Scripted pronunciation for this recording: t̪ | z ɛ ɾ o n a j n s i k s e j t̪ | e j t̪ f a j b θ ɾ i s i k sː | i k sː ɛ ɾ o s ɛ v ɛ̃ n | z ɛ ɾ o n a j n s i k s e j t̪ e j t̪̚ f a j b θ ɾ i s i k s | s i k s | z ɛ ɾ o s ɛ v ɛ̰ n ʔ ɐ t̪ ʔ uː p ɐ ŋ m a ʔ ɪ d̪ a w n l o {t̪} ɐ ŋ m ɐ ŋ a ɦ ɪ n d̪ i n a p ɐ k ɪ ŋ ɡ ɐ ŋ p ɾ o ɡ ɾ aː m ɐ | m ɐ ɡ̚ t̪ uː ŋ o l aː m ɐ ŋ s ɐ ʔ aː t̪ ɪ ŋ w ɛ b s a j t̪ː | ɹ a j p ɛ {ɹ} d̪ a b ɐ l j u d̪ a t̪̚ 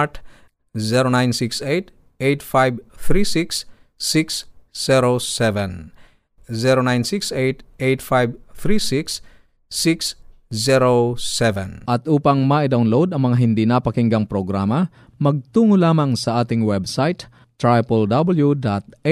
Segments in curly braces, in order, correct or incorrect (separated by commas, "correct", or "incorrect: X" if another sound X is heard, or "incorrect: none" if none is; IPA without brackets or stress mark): incorrect: d̪, incorrect: l